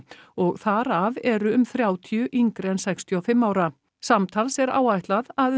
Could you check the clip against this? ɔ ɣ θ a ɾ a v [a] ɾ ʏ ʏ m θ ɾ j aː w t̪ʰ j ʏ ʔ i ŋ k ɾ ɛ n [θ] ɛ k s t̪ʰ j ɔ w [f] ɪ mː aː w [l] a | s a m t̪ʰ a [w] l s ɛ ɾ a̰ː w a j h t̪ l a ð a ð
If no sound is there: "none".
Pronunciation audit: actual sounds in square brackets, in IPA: ɛ, s, f, ɾ, none

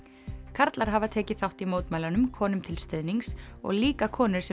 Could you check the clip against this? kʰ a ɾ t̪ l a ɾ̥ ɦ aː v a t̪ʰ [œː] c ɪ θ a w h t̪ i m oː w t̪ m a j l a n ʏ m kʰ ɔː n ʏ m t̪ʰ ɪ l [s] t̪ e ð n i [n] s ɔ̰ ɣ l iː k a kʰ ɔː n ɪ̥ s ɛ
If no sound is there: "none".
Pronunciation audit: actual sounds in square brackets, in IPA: ɛː, s, ŋ

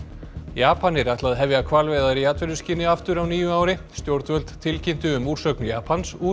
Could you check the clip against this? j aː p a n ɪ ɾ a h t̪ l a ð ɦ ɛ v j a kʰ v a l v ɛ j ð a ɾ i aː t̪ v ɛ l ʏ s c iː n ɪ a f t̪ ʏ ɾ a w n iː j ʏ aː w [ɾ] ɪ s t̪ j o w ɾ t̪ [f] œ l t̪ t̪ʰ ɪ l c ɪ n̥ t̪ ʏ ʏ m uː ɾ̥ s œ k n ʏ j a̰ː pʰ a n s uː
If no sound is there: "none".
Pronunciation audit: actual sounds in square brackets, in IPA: ɾ, v

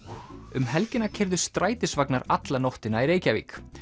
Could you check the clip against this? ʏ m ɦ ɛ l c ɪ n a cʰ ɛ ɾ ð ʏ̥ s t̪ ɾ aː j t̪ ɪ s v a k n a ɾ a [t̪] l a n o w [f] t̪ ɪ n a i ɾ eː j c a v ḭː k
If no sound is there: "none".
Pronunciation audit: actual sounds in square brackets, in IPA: t̪, h

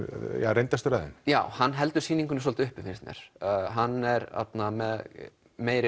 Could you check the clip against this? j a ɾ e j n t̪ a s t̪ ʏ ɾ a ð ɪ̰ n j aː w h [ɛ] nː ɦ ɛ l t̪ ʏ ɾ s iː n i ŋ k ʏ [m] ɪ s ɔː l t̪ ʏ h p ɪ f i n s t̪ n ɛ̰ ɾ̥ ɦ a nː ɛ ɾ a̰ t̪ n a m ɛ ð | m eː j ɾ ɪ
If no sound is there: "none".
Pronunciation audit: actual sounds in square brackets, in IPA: a, n

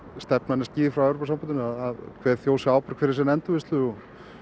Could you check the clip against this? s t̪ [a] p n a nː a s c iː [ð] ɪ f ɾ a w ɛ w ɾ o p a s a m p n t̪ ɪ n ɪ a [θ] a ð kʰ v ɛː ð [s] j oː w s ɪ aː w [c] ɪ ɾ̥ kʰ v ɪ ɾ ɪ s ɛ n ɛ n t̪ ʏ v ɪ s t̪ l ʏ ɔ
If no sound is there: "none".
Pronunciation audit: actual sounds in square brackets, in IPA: ɛ, ð, ð, θ, p

